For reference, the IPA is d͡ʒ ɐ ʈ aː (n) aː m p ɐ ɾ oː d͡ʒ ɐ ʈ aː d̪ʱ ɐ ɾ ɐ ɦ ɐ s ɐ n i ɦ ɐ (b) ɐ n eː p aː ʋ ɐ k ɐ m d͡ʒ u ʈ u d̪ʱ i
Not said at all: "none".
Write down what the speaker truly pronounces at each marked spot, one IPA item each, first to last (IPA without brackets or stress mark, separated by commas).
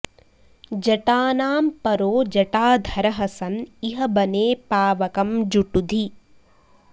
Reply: n, b